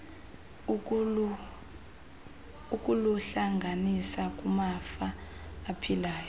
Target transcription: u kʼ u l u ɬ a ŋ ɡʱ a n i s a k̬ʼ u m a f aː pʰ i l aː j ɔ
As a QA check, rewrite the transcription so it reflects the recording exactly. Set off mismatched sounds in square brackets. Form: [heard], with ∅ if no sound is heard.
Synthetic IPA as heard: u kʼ u l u ɬ a ŋ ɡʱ a n i s a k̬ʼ u m a f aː pʰ i l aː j ɔ